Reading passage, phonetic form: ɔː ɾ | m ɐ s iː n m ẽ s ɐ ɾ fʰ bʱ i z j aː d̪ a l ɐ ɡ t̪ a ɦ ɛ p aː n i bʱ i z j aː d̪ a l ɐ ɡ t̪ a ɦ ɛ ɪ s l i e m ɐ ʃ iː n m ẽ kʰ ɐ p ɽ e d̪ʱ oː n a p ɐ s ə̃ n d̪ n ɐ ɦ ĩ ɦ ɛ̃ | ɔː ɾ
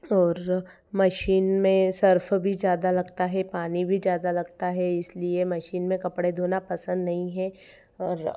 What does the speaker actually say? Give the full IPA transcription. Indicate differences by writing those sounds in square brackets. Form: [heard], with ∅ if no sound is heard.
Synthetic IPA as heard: ɔː ɾ | m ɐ [ʃ] iː n m ẽ s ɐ ɾ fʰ bʱ i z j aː d̪ a l ɐ ɡ t̪ a ɦ ɛ p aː n i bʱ i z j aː d̪ a l ɐ ɡ t̪ a ɦ ɛ ɪ s l i e m ɐ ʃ iː n m ẽ [k] ɐ p ɽ e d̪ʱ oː n a p ɐ s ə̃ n d̪ n ɐ ɦ ĩ ɦ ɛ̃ | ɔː ɾ